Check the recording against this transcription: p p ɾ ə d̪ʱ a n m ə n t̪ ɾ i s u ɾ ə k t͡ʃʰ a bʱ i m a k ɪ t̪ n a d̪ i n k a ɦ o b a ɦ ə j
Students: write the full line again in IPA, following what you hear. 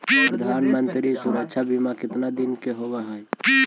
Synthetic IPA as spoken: p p ɾ ə d̪ʱ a n m ə n t̪ ɾ i s u ɾ ə k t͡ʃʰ a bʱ i m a k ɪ t̪ n a d̪ i n k e ɦ o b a ɦ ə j